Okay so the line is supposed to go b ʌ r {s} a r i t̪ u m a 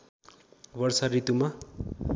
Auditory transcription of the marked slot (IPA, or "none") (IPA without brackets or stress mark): s